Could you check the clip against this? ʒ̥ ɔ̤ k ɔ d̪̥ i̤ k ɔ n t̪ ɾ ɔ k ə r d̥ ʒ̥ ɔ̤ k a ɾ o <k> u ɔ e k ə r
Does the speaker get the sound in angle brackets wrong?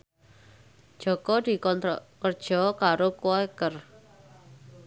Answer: no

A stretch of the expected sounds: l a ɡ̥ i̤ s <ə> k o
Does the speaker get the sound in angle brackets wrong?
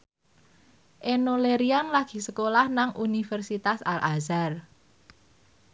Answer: no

